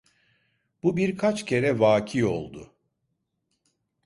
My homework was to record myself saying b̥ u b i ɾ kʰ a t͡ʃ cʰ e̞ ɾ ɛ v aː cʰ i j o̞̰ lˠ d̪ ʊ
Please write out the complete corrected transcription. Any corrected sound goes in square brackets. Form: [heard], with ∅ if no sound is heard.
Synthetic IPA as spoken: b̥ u b i ɾ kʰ a t͡ʃ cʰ e̞ ɾ ɛ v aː cʰ i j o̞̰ lˠ d̪ ʊ